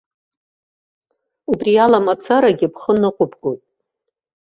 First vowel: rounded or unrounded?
rounded